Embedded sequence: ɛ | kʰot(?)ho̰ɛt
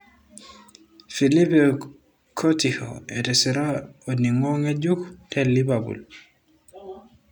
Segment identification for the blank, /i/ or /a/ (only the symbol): i